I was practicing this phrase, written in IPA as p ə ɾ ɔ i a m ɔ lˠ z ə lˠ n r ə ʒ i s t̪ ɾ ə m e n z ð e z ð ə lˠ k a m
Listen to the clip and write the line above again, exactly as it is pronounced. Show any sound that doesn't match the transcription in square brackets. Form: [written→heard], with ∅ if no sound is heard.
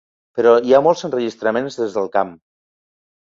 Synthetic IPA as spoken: p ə ɾ ɔ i a m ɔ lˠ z ə [lˠ→∅] n r ə ʒ i s t̪ ɾ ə m e n z ð e z ð ə lˠ k a m